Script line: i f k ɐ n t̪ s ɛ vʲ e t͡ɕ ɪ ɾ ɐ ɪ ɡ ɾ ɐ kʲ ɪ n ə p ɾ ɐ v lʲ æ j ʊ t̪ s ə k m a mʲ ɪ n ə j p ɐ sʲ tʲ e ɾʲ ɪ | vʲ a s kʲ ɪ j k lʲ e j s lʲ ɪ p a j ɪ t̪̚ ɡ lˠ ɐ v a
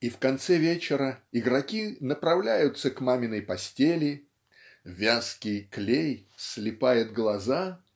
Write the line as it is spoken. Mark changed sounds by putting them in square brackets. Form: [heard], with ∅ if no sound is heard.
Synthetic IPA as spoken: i f k ɐ n t̪ s ɛ vʲ e t͡ɕ ɪ ɾ [ə] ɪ ɡ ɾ ɐ kʲ [i] n ə p ɾ ɐ v lʲ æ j ʊ t̪ s ə k m a mʲ ɪ n ə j p ɐ sʲ tʲ e [lʲ] ɪ | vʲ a s kʲ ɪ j k lʲ e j s lʲ ɪ p a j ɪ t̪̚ ɡ lˠ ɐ [z] a